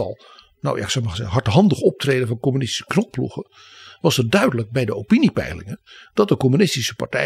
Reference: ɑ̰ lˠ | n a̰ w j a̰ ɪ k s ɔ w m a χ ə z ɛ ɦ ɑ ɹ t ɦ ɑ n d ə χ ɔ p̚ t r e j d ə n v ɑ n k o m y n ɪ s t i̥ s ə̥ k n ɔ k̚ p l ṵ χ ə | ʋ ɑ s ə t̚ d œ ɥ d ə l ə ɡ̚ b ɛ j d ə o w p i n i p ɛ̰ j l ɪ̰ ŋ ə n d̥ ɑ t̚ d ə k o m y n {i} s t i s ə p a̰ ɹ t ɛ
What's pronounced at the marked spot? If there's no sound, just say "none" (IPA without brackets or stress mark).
ɪ